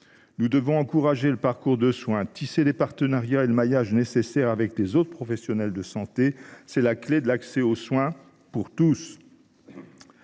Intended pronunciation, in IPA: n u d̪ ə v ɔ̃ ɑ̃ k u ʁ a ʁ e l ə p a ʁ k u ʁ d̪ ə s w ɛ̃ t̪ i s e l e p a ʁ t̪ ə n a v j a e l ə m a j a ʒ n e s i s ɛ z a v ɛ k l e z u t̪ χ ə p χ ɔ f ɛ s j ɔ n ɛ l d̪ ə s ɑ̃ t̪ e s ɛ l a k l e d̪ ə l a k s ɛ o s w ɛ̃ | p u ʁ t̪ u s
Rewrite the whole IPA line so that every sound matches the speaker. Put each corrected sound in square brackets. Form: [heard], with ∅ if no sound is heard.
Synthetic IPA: n u d̪ ə v ɔ̃ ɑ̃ k u ʁ a [ʒ] e l ə p a ʁ k u ʁ d̪ ə s w ɛ̃ t̪ i s e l e p a ʁ t̪ ə n a [ʁ] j a e l ə m a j a ʒ n e s [e] s ɛ [ʁ] a v ɛ k l e z [o] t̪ χ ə p χ ɔ f ɛ s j ɔ n ɛ l d̪ ə s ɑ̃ t̪ e s ɛ l a k l e d̪ ə l a k s ɛ o s w ɛ̃ | p u ʁ t̪ u s